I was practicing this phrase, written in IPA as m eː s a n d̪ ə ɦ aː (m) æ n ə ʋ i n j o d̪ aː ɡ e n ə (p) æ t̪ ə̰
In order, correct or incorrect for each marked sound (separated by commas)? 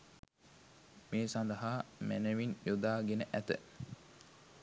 correct, incorrect